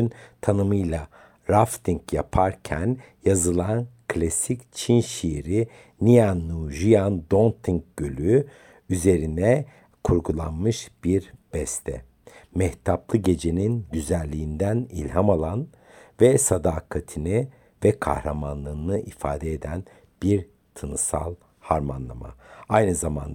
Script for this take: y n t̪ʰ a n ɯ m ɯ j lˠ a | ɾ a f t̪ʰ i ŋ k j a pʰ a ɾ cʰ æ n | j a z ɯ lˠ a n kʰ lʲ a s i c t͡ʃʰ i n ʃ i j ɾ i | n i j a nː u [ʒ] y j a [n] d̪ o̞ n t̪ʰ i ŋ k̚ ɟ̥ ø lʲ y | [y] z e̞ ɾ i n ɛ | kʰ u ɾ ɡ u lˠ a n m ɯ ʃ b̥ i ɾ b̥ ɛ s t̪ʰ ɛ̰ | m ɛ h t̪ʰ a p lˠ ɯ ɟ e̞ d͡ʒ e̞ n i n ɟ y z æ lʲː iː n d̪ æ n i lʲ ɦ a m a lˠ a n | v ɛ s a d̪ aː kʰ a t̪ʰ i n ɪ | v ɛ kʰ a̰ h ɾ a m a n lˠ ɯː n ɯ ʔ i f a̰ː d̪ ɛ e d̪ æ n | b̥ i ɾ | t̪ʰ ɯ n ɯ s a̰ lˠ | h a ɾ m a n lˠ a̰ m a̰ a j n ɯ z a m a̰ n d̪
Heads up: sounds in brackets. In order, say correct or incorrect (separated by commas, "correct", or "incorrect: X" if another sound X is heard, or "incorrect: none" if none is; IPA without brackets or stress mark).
correct, correct, correct